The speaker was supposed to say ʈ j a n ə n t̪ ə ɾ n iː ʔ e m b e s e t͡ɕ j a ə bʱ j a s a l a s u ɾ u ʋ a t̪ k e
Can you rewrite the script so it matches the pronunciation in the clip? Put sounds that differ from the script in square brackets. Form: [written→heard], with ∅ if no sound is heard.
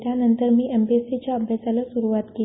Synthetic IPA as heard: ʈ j a n ə n t̪ ə ɾ [n→m] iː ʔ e m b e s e t͡ɕ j a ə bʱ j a s a l a s u ɾ u ʋ a t̪ k e